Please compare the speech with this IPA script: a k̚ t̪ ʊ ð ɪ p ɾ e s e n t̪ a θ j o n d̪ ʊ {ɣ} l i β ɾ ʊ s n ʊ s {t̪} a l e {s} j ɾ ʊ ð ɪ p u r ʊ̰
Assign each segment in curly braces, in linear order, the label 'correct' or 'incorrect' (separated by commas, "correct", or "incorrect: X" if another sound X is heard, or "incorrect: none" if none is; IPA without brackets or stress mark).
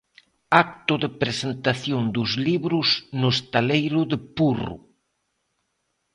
incorrect: z, correct, incorrect: none